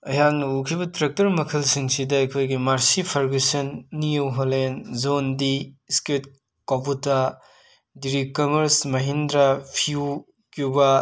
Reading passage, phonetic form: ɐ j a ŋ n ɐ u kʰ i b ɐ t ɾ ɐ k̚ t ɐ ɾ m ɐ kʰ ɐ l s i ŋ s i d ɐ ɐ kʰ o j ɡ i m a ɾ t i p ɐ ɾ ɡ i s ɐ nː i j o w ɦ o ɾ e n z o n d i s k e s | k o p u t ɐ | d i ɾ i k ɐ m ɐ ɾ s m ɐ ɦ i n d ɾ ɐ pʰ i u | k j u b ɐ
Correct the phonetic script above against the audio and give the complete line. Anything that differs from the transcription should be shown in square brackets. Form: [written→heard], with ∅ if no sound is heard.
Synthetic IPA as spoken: ɐ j a ŋ n ɐ u kʰ i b ɐ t ɾ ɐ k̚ t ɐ ɾ m ɐ kʰ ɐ l s i ŋ s i d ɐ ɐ kʰ o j ɡ i m a ɾ [t→s] i [p→pʰ] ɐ ɾ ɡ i s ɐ nː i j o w ɦ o [ɾ→l] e n z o n d i s k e [s→t] | k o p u t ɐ | d i ɾ i k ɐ m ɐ ɾ s m ɐ ɦ i n d ɾ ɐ pʰ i u | k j u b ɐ